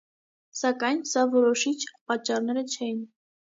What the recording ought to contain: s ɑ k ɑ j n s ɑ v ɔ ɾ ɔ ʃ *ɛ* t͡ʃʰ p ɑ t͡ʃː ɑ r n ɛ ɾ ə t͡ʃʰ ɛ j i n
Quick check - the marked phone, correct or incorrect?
incorrect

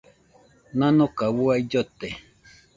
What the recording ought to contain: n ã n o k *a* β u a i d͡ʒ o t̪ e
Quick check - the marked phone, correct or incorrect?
correct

